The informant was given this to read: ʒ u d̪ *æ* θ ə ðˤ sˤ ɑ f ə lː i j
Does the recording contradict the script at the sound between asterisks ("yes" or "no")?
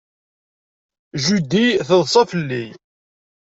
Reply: yes